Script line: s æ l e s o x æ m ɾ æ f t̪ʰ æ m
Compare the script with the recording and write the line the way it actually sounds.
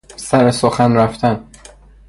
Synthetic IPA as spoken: s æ ɾ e s o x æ n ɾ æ f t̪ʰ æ n